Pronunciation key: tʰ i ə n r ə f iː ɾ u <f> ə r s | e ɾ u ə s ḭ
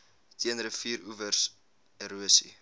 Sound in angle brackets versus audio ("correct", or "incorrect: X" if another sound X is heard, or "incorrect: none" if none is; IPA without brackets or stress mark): incorrect: v